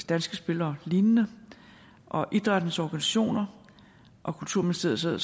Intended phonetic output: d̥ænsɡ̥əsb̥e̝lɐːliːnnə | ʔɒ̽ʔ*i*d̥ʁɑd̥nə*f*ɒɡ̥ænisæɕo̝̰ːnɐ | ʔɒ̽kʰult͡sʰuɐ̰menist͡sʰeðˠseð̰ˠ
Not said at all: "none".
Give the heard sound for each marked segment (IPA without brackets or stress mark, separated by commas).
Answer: i, s